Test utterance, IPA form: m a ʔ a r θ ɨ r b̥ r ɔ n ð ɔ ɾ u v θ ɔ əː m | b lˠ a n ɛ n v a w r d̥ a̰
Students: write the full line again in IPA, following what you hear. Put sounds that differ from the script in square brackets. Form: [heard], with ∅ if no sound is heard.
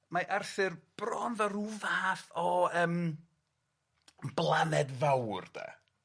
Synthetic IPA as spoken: m a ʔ a r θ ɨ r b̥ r ɔ n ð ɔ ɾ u v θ ɔ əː m | b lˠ a n ɛ [d] v a w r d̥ a̰